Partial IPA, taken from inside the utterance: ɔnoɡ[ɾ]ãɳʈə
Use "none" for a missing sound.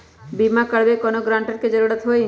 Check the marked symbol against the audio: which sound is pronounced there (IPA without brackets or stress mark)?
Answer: ɾ